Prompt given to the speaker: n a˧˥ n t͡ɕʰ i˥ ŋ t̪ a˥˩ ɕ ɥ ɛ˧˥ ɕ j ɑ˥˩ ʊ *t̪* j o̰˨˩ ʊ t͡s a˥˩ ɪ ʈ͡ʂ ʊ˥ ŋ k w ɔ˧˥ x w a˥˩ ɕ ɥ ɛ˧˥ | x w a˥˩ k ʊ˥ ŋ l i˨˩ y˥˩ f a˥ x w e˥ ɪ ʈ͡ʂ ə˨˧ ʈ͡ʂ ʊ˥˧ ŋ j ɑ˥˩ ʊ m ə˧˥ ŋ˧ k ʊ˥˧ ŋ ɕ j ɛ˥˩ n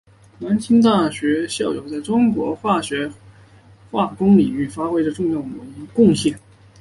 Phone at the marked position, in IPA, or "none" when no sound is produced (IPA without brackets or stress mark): none